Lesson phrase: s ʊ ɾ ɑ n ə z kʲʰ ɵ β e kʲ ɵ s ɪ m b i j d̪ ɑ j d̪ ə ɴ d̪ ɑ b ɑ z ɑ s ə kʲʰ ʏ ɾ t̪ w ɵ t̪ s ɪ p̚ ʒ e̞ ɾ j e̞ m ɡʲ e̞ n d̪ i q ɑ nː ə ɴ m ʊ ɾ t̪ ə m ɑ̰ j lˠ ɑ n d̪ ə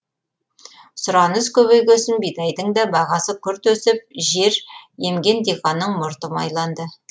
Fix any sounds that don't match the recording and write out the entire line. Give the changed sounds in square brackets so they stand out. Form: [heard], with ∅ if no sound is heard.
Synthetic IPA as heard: s ʊ ɾ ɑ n ə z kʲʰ ɵ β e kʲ ɵ s ɪ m b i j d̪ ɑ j d̪ ə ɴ d̪ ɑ b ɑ [ʁ] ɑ s ə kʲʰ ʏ ɾ t̪ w ɵ [∅] s ɪ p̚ ʒ e̞ ɾ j e̞ m ɡʲ e̞ n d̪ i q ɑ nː ə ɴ m ʊ ɾ t̪ ə m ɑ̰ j lˠ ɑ n d̪ ə